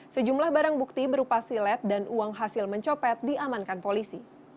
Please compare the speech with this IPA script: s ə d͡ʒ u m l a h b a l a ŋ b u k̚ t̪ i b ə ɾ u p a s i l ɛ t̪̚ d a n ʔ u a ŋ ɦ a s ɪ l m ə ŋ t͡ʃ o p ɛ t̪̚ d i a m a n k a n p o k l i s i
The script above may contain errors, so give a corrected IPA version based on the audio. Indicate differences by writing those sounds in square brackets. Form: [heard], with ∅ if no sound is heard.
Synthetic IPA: s ə d͡ʒ u m l a h b a [ɾ] a ŋ b u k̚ t̪ i b ə ɾ u p a s i l ɛ t̪̚ d a n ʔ u a ŋ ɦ a s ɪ l m ə [ɲ] t͡ʃ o p ɛ t̪̚ d i a m a n k a n p o [∅] l i s i